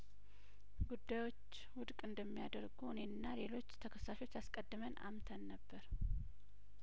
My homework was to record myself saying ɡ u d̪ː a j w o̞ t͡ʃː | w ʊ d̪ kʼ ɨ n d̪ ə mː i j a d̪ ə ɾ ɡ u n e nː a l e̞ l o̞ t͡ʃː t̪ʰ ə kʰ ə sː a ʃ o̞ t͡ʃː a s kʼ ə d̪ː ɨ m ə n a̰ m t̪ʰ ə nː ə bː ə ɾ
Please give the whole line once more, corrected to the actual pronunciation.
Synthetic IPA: ɡ u d̪ː a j w o̞ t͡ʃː | w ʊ d̪ kʼ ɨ n d̪ ə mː i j a d̪ ə ɾ ɡ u n e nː a l e̞ l o̞ t͡ʃː t̪ʰ ə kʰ ə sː a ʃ o̞ t͡ʃː a s kʼ ə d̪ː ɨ m ə n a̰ m t̪ʰ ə nː ə bː ə ɾ